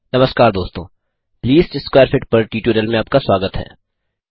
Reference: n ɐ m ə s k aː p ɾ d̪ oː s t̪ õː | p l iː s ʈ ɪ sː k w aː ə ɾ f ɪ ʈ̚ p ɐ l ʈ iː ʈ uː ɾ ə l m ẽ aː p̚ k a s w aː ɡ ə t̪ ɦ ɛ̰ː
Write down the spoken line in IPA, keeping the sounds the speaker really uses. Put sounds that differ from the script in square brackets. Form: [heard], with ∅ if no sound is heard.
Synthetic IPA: n ɐ m ə s k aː [∅] ɾ d̪ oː s t̪ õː | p l iː s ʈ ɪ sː k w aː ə ɾ f ɪ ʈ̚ p ɐ [ɾ] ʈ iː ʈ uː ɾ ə l m ẽ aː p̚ k a s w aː ɡ ə t̪ ɦ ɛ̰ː

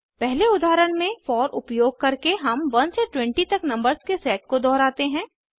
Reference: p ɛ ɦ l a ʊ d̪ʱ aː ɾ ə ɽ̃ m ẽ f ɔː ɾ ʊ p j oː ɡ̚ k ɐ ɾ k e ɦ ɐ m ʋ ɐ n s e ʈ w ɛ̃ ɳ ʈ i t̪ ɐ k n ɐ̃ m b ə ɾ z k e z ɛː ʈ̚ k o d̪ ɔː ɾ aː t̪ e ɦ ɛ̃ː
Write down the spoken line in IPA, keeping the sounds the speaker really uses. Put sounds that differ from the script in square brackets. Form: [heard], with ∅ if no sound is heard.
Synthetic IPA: p ɛ ɦ l [e] ʊ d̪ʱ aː ɾ ə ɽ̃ m ẽ f ɔː ɾ ʊ p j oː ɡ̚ k ɐ ɾ k e ɦ ɐ m ʋ ɐ n s e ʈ w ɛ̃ ɳ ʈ i t̪ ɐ k n ɐ̃ m b ə ɾ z k e [s] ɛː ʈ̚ k o d̪ ɔː ɾ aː t̪ e ɦ ɛ̃ː

